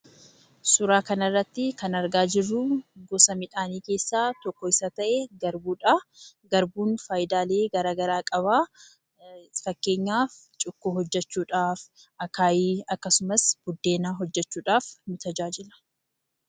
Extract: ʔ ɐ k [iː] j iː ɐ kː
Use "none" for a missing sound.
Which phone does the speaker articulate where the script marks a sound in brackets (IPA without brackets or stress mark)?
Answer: aː